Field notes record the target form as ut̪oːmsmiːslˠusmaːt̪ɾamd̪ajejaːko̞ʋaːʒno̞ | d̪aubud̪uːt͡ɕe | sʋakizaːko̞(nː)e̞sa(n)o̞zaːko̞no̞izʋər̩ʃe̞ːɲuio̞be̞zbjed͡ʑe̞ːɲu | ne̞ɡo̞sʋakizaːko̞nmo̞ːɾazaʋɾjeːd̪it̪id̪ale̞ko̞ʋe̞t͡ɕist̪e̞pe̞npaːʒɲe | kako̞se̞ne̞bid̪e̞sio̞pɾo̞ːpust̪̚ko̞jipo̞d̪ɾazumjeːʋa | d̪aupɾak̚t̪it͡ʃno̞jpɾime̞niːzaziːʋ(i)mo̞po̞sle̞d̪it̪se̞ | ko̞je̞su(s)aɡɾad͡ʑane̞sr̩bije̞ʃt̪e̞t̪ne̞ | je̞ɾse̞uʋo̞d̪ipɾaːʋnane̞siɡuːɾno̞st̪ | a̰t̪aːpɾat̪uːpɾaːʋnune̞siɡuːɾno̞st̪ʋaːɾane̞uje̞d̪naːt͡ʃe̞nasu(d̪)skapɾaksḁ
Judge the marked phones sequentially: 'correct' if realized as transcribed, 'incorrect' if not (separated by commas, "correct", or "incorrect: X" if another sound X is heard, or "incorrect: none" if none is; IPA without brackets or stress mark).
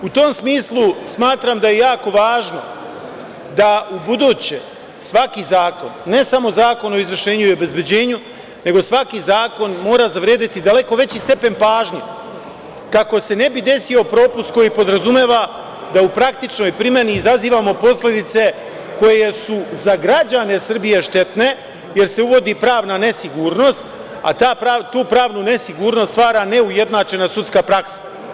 correct, incorrect: m, incorrect: a, incorrect: z, incorrect: t̪